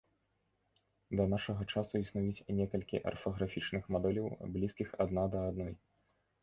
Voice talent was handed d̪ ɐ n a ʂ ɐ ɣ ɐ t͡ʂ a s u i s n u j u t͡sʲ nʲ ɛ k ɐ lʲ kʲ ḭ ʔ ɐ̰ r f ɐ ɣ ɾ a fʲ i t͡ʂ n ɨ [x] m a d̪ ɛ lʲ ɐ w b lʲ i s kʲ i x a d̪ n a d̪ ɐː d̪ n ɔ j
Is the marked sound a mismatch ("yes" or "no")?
no